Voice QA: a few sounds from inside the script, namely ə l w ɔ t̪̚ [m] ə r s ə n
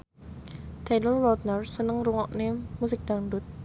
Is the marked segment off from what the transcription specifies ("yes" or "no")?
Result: yes